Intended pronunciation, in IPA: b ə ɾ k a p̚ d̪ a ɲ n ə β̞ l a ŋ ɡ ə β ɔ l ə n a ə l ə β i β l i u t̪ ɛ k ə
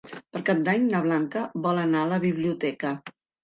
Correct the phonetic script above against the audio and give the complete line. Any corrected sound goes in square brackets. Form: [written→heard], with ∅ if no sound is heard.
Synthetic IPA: [b→p] ə ɾ k a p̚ d̪ a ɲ n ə β̞ l a ŋ [ɡ→k] ə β ɔ l ə n a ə l ə β i β l i u t̪ ɛ k ə